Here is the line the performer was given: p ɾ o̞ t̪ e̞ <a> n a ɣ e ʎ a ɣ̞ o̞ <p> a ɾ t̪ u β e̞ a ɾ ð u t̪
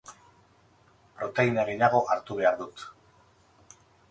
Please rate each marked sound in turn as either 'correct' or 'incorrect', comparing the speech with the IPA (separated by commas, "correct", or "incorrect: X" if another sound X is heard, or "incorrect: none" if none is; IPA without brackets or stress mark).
incorrect: i, incorrect: ʔ